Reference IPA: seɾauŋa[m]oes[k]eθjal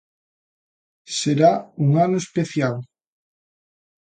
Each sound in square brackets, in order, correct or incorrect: incorrect: n, incorrect: p

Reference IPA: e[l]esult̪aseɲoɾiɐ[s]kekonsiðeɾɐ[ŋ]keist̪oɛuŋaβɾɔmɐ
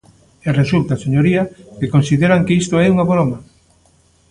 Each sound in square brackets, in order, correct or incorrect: incorrect: r, incorrect: none, correct

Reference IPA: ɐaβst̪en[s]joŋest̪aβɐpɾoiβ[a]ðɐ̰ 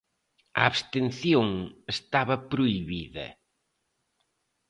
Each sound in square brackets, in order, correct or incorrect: incorrect: θ, incorrect: i

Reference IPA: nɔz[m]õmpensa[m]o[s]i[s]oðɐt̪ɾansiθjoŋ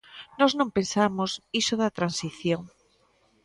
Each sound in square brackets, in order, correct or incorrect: incorrect: n, correct, correct, correct

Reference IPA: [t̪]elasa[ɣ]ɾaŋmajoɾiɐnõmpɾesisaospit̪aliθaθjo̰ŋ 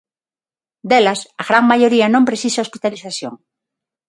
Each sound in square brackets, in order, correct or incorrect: incorrect: d̪, correct

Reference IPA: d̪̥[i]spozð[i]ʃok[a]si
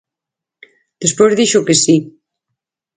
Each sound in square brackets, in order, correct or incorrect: incorrect: e, correct, incorrect: e

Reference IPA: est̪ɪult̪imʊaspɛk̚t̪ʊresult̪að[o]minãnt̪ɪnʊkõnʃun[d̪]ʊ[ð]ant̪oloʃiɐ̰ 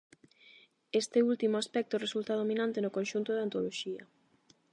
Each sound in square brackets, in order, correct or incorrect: correct, incorrect: t̪, correct

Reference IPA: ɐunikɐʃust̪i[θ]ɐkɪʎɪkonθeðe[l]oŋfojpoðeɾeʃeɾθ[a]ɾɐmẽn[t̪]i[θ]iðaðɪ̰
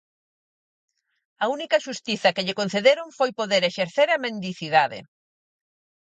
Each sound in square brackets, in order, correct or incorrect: correct, incorrect: ɾ, incorrect: e, incorrect: d̪, correct

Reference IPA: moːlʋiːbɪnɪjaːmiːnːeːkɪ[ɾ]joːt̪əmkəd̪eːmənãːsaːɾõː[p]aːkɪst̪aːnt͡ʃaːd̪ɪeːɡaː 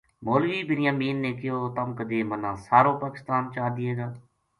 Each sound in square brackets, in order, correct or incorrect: incorrect: none, correct

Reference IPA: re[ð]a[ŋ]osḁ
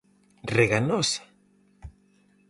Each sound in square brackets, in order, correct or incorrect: incorrect: ɣ, incorrect: n

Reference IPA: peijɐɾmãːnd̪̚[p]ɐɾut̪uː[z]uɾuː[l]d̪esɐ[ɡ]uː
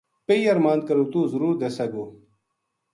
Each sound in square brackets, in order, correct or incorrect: incorrect: k, correct, incorrect: ɾ, correct

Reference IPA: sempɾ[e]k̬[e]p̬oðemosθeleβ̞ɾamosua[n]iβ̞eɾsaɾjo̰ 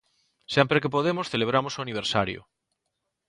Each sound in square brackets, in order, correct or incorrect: correct, correct, correct

